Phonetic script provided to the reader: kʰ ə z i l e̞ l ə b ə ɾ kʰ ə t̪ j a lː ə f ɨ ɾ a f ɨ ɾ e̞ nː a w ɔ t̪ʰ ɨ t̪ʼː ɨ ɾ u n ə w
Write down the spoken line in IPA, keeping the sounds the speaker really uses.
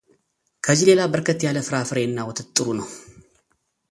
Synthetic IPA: kʰ ə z i l e̞ l a b ə ɾ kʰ ə t̪ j a l ə f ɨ ɾ a f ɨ ɾ e̞ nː a w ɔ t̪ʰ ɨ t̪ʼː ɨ ɾ u n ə w